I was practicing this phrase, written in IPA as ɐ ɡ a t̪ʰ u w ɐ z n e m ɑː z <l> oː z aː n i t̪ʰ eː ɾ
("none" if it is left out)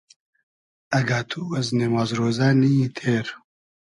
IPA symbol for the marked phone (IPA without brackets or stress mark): ɾ